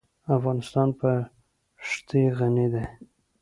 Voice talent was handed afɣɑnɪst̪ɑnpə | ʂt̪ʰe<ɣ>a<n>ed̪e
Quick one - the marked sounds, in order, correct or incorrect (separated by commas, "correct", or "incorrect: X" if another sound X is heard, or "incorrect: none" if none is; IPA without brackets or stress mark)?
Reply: correct, correct